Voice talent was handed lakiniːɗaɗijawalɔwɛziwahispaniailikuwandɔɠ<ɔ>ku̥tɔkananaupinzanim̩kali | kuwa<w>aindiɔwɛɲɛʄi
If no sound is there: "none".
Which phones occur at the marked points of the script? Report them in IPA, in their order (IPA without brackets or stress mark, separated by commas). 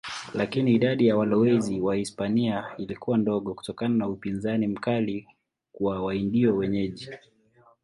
ɔ, w